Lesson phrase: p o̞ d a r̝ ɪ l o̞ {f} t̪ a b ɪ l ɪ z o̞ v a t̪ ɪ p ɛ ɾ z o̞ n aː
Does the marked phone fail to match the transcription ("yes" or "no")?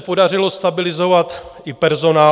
yes